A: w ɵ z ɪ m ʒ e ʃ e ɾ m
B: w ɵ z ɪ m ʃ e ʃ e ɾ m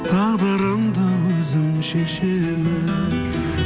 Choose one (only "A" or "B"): B